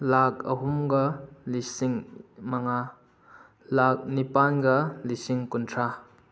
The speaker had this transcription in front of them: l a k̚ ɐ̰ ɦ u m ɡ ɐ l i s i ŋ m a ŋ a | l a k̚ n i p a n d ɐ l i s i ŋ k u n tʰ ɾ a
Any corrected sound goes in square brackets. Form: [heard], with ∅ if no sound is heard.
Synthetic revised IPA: l a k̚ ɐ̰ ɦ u m ɡ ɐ l i s i ŋ m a ŋ a | l a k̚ n i p a n [ɡ] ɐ l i s i ŋ k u n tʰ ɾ a